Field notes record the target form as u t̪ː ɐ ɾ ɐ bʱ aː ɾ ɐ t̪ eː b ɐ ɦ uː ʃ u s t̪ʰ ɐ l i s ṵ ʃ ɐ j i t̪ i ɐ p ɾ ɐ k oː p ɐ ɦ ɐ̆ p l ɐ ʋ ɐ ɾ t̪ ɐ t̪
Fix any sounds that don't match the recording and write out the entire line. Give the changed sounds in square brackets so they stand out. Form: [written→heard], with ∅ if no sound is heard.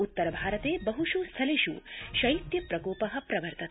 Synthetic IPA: u t̪ː ɐ ɾ ɐ bʱ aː ɾ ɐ t̪ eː b ɐ ɦ [uː→u] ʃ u s t̪ʰ ɐ l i [s→ʃ] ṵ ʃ ɐ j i t̪ [i→j] ɐ p ɾ ɐ k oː p ɐ ɦ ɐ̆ p [l→ɾ] ɐ ʋ ɐ ɾ t̪ ɐ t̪